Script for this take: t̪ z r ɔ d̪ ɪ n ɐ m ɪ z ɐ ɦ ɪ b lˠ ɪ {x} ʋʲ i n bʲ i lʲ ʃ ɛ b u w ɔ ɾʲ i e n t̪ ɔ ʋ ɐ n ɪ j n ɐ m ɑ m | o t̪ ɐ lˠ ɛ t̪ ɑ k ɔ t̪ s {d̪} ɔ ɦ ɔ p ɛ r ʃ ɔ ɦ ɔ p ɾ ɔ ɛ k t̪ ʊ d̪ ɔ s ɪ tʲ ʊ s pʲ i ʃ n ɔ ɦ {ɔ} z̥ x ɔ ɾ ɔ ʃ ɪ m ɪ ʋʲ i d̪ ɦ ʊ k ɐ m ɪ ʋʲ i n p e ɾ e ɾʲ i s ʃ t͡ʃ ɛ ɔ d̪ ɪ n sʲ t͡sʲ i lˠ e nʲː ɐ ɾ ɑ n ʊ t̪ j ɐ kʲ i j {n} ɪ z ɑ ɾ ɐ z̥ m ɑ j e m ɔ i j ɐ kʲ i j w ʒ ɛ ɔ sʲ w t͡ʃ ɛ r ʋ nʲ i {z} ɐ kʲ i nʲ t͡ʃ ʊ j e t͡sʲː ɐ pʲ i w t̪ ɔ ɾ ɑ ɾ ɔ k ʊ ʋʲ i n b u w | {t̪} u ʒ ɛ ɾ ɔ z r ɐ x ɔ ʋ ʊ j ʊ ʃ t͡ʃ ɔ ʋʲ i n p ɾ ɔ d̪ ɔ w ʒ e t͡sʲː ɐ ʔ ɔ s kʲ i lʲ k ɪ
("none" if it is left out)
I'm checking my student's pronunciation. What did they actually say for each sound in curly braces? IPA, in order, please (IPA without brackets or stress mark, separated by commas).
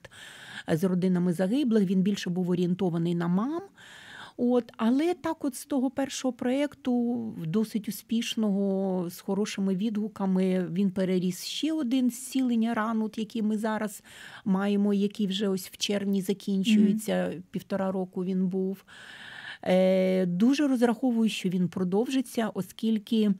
x, t̪, ɔ, m, z, d̪